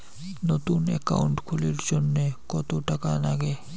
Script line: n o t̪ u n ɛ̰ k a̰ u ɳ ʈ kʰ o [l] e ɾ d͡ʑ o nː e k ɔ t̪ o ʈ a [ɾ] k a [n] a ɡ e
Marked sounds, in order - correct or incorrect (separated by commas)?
correct, incorrect, correct